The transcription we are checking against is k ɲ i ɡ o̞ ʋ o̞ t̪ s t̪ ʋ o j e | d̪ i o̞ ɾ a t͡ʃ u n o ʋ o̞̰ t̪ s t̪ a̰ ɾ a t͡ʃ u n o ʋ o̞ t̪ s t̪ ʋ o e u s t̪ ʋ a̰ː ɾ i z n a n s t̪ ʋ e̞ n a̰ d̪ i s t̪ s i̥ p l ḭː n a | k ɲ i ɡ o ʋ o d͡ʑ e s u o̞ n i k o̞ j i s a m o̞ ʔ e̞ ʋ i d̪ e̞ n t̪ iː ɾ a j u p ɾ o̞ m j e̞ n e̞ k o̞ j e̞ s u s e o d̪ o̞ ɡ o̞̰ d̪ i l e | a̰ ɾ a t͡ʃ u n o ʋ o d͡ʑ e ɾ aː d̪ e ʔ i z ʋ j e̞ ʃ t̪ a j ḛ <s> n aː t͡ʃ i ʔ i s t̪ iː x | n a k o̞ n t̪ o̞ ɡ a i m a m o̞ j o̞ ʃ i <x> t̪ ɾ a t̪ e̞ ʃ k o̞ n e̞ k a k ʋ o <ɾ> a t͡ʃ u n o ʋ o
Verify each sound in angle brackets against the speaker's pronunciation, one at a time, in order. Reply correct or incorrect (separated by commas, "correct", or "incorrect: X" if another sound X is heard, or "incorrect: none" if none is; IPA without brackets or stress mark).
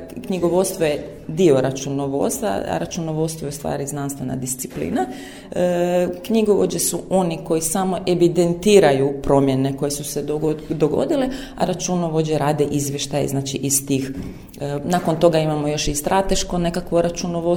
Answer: incorrect: z, incorrect: s, correct